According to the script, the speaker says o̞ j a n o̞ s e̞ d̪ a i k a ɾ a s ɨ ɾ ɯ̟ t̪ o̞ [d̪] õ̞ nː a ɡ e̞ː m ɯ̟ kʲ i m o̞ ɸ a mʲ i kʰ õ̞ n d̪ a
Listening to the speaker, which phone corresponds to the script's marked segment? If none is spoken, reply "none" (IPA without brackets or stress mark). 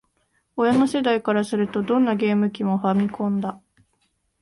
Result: d̪